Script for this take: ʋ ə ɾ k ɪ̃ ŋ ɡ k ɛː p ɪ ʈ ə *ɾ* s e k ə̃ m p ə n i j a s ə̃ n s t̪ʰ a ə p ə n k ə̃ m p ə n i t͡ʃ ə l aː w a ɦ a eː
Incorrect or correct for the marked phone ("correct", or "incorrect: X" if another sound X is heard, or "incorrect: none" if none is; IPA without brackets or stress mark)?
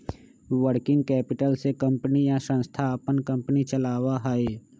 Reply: incorrect: l